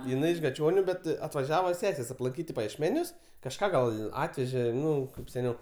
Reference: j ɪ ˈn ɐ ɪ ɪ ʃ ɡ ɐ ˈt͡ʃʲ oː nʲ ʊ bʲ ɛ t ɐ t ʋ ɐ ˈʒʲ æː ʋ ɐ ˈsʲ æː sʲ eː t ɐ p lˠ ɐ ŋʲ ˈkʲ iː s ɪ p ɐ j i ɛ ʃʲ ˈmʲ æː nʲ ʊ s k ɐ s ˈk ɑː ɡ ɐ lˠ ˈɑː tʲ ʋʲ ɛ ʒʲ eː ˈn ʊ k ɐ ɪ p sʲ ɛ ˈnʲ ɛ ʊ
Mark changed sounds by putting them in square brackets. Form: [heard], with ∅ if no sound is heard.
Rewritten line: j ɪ ˈn ɐ ɪ ɪ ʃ ɡ ɐ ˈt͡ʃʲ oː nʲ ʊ bʲ ɛ t ɐ t ʋ ɐ ˈʒʲ æː ʋ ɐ ˈsʲ æː sʲ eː [s] ɐ p lˠ ɐ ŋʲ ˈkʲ iː [t] ɪ p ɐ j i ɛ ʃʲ ˈmʲ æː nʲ ʊ s k ɐ [ʃ] ˈk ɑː ɡ ɐ lˠ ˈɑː tʲ ʋʲ ɛ ʒʲ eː ˈn ʊ k ɐ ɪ p sʲ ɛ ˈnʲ ɛ ʊ